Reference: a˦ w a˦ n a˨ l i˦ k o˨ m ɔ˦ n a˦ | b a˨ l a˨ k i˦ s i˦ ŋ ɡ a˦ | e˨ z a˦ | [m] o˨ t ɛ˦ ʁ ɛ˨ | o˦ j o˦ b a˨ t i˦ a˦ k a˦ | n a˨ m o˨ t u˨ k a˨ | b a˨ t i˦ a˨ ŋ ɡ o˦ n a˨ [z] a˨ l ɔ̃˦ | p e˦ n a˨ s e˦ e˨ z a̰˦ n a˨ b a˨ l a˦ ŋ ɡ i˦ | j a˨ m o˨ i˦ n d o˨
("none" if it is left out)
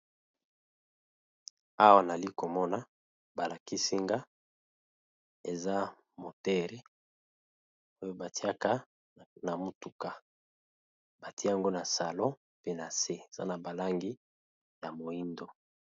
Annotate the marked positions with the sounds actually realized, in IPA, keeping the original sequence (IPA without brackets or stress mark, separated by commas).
m, s